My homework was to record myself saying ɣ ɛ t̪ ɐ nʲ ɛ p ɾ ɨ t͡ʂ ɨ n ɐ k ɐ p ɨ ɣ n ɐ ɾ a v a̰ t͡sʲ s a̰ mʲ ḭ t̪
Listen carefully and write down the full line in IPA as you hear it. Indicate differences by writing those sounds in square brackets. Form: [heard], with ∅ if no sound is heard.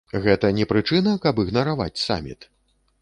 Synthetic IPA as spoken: ɣ ɛ t̪ ɐ nʲ ɛ p ɾ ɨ t͡ʂ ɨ n ɐ k ɐ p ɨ ɣ n ɐ ɾ a v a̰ t͡sʲ s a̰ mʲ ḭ t̪